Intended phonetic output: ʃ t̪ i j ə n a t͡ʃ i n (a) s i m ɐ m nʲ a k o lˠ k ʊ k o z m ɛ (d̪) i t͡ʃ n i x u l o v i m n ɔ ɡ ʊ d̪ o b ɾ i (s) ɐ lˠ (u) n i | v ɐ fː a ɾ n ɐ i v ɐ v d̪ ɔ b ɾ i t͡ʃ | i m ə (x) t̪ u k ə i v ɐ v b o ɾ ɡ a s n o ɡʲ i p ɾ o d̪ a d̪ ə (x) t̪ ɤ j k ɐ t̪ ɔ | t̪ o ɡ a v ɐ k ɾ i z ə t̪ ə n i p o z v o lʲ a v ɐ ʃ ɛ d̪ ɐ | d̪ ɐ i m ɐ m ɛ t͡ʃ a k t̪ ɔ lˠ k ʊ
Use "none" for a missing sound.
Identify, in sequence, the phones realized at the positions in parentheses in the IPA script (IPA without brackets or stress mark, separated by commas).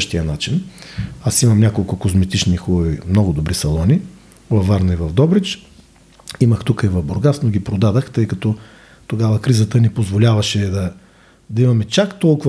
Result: a, t̪, s, ɔ, x, x